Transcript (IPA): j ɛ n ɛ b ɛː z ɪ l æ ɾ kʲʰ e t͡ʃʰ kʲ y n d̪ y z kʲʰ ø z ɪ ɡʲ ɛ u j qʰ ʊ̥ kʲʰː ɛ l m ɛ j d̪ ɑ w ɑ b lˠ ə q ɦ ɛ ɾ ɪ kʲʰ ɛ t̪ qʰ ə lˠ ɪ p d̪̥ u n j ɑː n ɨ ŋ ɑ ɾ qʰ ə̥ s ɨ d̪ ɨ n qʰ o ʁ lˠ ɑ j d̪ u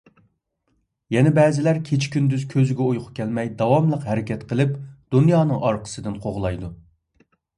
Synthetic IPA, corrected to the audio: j ɛ n ɛ b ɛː z ɪ l æ ɾ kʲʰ e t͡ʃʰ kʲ y n d̪ y z kʲʰ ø z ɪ ɡʲ ɛ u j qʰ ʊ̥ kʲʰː ɛ l m ɛ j d̪ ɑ w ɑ m lˠ ə q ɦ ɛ ɾ ɪ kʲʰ ɛ t̪ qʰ ə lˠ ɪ p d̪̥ u n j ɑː n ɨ ŋ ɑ ɾ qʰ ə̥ s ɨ d̪ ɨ n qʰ o ʁ lˠ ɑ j d̪ u